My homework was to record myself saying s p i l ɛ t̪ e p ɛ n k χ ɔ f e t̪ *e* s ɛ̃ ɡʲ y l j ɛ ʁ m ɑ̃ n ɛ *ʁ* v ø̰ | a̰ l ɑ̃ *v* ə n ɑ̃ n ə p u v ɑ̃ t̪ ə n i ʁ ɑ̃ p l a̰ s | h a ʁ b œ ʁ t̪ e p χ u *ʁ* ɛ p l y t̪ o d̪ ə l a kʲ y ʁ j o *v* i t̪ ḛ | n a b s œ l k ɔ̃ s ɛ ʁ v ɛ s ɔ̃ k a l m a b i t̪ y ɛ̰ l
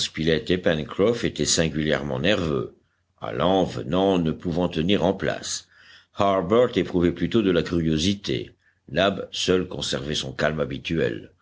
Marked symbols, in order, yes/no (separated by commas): no, yes, yes, no, no